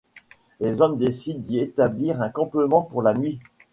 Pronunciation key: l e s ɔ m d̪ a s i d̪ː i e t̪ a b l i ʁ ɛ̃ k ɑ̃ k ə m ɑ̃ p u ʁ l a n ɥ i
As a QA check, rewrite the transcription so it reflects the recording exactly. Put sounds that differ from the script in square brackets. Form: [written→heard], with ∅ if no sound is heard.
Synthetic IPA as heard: l e [s→z] ɔ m d̪ [a→e] s i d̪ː i e t̪ a b l i ʁ ɛ̃ k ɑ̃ [k→p] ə m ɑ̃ p u ʁ l a n ɥ i

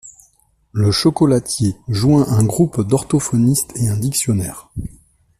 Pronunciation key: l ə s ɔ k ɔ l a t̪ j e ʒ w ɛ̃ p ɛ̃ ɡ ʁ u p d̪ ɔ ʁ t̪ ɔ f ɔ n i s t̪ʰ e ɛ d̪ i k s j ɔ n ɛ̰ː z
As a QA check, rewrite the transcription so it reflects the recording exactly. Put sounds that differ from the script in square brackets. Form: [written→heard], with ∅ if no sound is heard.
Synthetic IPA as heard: l ə [s→ʃ] ɔ k ɔ l a t̪ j e ʒ w ɛ̃ [p→ʔ] ɛ̃ ɡ ʁ u p d̪ ɔ ʁ t̪ ɔ f ɔ n i s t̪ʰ e [ɛ→ɛ̃] d̪ i k s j ɔ n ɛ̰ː [z→ʁ]

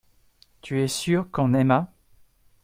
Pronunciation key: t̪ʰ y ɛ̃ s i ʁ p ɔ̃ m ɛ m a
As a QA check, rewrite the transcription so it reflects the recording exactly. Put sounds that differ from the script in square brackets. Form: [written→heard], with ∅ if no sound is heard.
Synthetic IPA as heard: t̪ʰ y [ɛ̃→ɛ] s [i→y] ʁ [p→k] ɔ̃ [m→n] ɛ m a

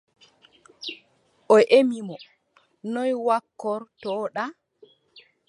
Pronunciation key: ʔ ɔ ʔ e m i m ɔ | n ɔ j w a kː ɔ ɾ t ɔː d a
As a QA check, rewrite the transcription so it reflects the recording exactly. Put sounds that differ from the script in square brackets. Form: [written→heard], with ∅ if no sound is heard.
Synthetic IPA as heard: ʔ ɔ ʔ e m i m ɔ | n ɔ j w a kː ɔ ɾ t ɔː [d→ɗ] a

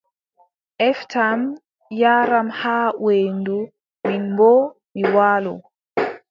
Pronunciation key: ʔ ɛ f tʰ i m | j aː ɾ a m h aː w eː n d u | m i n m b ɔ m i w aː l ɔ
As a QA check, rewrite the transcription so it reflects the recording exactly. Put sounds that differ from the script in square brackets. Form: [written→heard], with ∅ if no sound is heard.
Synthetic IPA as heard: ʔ ɛ f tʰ [i→a] m | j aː ɾ a m h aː w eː n d u | m i n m b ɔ m i w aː l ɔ

